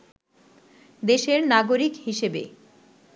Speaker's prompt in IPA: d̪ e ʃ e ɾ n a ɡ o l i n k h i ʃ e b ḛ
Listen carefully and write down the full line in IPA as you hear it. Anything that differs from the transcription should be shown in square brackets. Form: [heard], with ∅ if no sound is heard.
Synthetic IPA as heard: d̪ e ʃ e ɾ n a ɡ o [ɾ] i [∅] k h i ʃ e b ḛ